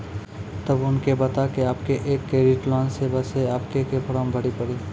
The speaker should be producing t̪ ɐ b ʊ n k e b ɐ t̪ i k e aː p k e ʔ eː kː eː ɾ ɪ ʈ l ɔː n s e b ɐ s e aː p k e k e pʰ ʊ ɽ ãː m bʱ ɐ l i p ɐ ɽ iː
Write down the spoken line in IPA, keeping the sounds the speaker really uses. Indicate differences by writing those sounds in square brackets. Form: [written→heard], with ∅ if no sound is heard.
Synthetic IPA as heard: t̪ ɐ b ʊ n k e b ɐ t̪ [i→a] k e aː p k e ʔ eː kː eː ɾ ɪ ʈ l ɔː n s e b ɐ s e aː p k e k e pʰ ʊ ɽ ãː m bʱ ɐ [l→ɽ] i p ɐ ɽ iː